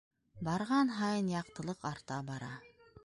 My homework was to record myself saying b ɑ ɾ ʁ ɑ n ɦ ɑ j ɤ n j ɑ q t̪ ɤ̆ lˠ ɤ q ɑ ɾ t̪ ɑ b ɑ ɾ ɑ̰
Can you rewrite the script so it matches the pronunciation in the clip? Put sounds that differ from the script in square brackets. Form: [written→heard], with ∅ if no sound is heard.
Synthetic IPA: b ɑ ɾ ʁ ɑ n ɦ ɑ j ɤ n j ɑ q t̪ ɤ̆ lˠ ɤ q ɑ ɾ t̪ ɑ b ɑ ɾ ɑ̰

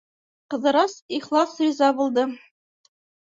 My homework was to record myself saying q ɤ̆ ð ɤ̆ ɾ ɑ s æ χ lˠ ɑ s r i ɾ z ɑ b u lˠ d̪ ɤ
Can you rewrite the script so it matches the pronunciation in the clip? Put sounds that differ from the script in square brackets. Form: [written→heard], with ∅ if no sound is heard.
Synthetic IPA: q ɤ̆ ð ɤ̆ ɾ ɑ s [æ→i] χ lˠ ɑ s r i [ɾ→∅] z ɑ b u lˠ d̪ ɤ

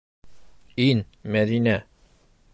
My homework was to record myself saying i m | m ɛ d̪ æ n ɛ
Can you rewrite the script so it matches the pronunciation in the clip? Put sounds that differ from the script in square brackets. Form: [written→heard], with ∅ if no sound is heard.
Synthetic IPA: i [m→n] | m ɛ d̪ [æ→i] n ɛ

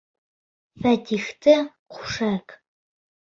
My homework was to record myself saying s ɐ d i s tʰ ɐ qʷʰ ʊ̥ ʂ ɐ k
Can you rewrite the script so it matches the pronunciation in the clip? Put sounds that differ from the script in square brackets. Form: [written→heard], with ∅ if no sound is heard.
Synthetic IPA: [s→f] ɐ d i [s→x] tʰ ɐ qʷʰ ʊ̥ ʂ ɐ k

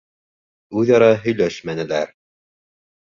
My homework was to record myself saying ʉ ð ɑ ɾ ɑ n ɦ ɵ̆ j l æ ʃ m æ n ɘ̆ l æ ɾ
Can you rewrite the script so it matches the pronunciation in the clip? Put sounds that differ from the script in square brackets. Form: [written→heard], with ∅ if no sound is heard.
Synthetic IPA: ʉ ð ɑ ɾ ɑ [n→∅] ɦ ɵ̆ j l æ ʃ m æ n ɘ̆ l æ ɾ

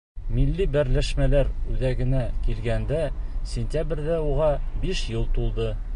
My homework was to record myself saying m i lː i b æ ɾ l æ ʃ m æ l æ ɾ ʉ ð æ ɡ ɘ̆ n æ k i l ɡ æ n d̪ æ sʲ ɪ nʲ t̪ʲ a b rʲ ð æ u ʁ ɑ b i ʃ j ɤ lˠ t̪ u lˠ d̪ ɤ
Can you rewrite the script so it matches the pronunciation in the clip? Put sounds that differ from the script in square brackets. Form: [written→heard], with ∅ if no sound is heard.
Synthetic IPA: m i lː i b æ ɾ l æ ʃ m æ l æ ɾ ʉ ð æ ɡ ɘ̆ n æ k i l ɡ æ n d̪ æ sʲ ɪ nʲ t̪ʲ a b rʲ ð æ u ʁ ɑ b i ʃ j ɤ lˠ t̪ u lˠ d̪ ɤ

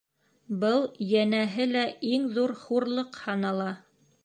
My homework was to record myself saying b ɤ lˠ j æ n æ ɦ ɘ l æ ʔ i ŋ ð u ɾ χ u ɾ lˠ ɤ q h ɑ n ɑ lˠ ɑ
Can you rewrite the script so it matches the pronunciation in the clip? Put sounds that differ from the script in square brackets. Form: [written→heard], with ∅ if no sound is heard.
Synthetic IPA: b ɤ lˠ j æ n æ ɦ ɘ l æ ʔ i ŋ ð u ɾ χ u ɾ lˠ ɤ q h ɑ n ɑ lˠ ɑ

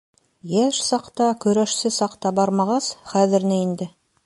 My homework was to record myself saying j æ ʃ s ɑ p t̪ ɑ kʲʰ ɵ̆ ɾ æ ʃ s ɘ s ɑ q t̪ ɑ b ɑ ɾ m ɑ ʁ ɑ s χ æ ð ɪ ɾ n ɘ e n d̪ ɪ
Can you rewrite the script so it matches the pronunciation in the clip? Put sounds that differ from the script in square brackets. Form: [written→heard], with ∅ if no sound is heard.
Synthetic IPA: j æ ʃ s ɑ [p→q] t̪ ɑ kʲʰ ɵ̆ ɾ æ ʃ s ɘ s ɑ q t̪ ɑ b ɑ ɾ m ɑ ʁ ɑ s χ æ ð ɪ ɾ n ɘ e n d̪ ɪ

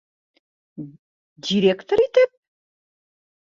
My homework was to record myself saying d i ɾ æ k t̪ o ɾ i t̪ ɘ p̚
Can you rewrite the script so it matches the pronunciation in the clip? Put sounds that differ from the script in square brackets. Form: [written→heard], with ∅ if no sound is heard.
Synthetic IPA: d i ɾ [æ→e] k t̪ o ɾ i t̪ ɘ p̚

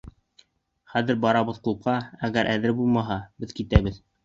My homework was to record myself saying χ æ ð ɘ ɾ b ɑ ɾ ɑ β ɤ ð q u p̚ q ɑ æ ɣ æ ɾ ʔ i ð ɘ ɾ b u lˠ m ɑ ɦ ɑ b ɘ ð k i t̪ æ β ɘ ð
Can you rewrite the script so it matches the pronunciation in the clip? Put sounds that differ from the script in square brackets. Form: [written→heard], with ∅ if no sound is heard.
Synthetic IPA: χ æ ð ɘ ɾ b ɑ ɾ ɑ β ɤ ð q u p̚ q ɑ æ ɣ æ ɾ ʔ [i→æ] ð ɘ ɾ b u lˠ m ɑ ɦ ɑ b ɘ ð k i t̪ æ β ɘ ð

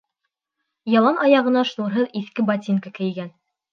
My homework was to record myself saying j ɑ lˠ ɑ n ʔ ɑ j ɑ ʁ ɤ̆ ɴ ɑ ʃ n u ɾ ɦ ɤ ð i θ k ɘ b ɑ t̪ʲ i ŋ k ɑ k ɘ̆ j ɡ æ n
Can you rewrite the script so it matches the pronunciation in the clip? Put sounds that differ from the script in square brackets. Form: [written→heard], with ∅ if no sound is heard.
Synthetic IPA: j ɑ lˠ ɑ n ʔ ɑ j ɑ ʁ ɤ̆ [ɴ→n] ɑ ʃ n u ɾ ɦ ɤ ð i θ k ɘ b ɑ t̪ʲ i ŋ k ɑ k ɘ̆ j ɡ æ n

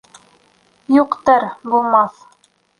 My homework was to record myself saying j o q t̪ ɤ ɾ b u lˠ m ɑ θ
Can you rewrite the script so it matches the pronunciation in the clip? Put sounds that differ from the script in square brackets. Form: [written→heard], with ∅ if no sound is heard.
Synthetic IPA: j [o→u] q t̪ ɤ ɾ b u lˠ m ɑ θ

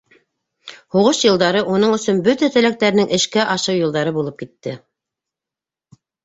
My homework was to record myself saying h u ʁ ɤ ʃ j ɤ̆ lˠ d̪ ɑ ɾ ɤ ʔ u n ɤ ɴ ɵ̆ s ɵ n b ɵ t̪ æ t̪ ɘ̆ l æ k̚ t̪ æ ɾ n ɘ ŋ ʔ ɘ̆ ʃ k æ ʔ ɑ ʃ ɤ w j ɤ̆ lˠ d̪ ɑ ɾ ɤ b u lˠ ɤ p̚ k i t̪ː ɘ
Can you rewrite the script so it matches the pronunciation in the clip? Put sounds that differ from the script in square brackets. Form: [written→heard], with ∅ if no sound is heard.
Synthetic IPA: h u ʁ ɤ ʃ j ɤ̆ lˠ d̪ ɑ ɾ ɤ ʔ u n ɤ ɴ ɵ̆ s ɵ n b ɵ t̪ æ t̪ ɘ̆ l æ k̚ t̪ æ ɾ n ɘ ŋ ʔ ɘ̆ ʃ k æ ʔ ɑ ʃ ɤ w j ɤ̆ lˠ d̪ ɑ ɾ ɤ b u lˠ ɤ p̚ k i t̪ː ɘ

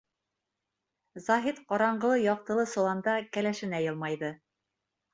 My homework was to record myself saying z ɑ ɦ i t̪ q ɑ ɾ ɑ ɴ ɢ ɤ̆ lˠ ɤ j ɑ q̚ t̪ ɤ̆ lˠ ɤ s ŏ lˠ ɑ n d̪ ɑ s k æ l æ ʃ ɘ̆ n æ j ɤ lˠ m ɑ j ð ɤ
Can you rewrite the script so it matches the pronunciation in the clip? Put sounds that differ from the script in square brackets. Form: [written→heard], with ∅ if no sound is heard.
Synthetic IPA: z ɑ ɦ i t̪ q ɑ ɾ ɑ ɴ ɢ ɤ̆ lˠ ɤ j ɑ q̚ t̪ ɤ̆ lˠ ɤ s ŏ lˠ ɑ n d̪ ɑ [s→∅] k æ l æ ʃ ɘ̆ n æ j ɤ lˠ m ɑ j ð ɤ

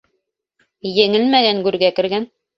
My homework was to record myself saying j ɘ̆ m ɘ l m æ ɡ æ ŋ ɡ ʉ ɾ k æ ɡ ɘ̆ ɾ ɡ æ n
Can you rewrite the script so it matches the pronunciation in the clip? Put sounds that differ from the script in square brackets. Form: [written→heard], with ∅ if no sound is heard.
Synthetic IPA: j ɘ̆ [m→ŋ] ɘ l m æ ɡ æ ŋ ɡ ʉ ɾ [k→ɡ] æ [ɡ→k] ɘ̆ ɾ ɡ æ n

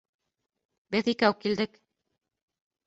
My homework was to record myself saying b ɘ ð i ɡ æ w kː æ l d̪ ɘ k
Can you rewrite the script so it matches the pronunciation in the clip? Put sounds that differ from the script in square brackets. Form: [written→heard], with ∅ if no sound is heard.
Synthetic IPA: b ɘ ð i [ɡ→k] æ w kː [æ→i] l d̪ ɘ k

